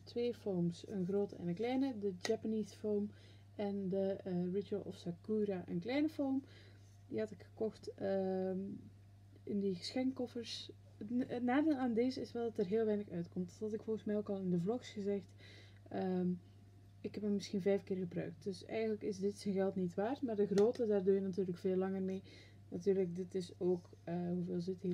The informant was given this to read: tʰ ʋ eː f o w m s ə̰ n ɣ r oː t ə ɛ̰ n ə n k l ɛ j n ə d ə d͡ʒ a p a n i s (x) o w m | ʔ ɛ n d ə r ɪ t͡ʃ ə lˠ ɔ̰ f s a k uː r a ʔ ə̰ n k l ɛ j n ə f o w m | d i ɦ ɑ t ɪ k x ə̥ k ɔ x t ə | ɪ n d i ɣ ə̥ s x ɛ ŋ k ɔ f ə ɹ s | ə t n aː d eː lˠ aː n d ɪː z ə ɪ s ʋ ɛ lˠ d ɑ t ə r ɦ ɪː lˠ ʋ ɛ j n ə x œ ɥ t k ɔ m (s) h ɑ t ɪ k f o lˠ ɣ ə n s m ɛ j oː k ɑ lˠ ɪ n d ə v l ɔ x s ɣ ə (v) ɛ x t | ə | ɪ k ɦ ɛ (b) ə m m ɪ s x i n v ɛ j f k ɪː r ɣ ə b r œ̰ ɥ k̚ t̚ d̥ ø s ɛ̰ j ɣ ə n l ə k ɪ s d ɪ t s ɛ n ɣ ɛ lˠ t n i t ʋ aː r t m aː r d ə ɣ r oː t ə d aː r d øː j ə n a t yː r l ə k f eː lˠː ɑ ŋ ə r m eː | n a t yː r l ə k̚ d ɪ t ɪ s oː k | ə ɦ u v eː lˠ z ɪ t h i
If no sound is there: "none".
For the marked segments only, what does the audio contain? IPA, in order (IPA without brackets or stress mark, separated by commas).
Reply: f, t, z, p